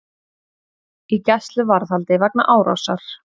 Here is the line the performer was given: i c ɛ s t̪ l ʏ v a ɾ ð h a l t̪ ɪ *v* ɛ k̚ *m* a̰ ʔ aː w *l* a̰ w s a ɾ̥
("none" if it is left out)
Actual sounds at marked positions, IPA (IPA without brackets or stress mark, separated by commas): v, n, ɾ